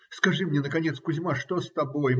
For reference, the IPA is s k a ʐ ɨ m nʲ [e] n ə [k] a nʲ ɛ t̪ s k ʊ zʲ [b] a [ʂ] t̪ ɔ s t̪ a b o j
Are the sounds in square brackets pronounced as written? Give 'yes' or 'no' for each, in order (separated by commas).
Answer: no, yes, no, yes